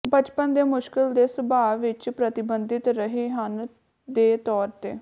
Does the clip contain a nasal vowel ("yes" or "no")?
no